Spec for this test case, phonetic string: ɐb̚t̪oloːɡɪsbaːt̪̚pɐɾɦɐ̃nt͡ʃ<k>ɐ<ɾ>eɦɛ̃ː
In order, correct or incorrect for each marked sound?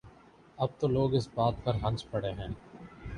incorrect: p, incorrect: ɽ

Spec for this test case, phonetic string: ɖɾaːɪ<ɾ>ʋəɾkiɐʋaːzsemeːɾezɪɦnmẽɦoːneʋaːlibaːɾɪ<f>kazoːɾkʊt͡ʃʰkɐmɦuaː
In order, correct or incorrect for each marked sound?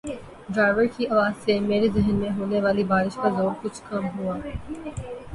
incorrect: none, incorrect: ʃ

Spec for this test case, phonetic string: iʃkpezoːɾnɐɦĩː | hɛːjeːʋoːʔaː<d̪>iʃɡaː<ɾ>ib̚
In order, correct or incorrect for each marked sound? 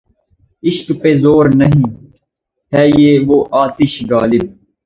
incorrect: t̪, incorrect: l

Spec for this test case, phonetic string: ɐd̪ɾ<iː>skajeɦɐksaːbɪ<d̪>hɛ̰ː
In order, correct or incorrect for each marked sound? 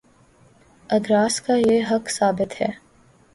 incorrect: aː, incorrect: t̪

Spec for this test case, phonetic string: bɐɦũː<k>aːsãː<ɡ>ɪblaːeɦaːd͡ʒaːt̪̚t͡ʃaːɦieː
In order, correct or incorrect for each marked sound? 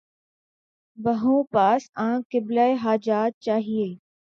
incorrect: p, incorrect: k

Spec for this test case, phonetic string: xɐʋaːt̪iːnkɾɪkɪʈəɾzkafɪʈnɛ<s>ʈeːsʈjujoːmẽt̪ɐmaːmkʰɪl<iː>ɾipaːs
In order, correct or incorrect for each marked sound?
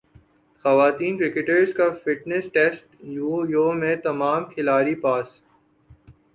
correct, incorrect: aː

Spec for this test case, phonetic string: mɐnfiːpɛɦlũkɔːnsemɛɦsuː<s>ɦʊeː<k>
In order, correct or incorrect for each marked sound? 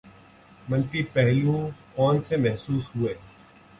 correct, incorrect: none

